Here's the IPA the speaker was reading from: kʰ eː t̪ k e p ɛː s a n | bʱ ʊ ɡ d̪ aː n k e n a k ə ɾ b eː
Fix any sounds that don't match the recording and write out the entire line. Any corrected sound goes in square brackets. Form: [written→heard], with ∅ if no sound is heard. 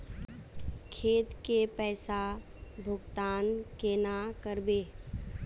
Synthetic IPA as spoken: kʰ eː t̪ k e p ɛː s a [n→∅] | bʱ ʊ ɡ [d̪→t̪] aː n k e n a k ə ɾ b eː